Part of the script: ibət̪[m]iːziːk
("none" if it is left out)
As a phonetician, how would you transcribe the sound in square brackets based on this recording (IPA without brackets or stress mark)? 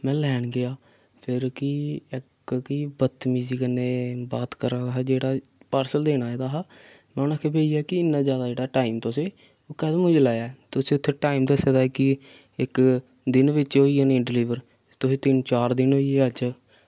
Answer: m